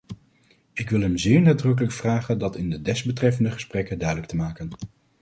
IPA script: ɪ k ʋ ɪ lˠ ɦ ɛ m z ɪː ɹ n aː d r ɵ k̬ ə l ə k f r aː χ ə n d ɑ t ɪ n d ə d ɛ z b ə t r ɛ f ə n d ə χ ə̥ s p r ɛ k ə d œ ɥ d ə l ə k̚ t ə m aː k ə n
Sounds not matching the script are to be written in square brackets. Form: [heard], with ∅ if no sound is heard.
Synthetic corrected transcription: ɪ k ʋ ɪ lˠ ɦ ɛ m z ɪː ɹ n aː d r ɵ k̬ ə l ə k f r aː χ ə n d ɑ t ɪ n d ə d ɛ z b ə t r ɛ f ə n d ə χ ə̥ s p r ɛ k ə d œ ɥ d ə l ə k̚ t ə m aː k ə n